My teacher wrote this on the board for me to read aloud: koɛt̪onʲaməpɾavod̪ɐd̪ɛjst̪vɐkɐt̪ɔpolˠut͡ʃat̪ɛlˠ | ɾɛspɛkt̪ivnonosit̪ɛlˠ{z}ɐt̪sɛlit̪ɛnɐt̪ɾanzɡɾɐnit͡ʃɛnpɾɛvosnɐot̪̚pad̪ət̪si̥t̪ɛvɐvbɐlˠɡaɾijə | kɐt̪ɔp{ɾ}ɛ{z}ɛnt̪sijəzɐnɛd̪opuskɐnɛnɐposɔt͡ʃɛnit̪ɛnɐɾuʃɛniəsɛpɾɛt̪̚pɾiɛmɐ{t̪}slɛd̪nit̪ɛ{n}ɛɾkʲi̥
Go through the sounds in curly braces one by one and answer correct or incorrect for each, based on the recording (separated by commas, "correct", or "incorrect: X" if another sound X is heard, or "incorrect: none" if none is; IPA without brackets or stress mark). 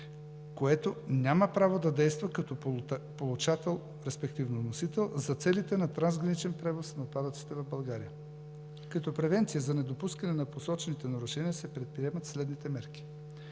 correct, correct, incorrect: v, correct, incorrect: m